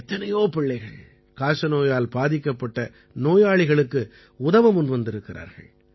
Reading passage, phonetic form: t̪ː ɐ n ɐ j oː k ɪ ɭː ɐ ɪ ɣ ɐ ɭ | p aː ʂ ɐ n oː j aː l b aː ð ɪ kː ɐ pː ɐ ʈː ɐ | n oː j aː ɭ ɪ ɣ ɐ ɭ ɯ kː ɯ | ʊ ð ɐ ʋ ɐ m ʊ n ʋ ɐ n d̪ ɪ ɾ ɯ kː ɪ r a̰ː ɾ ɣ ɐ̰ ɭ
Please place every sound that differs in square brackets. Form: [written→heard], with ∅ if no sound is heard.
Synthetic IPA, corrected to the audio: t̪ː ɐ n ɐ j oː [k→p] ɪ ɭː ɐ ɪ ɣ ɐ ɭ | [p→k] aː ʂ ɐ n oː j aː l b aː ð ɪ kː ɐ pː ɐ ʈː ɐ | n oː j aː ɭ ɪ ɣ ɐ ɭ ɯ kː ɯ | ʊ ð ɐ ʋ ɐ m ʊ n ʋ ɐ n d̪ ɪ ɾ ɯ kː ɪ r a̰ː ɾ ɣ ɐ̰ ɭ